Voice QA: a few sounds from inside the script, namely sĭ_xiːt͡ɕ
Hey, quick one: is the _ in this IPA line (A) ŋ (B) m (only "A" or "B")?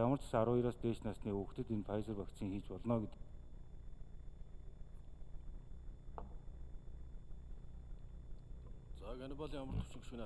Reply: A